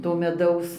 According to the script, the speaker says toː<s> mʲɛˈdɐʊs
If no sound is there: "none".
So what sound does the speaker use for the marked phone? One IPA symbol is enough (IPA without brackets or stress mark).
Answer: none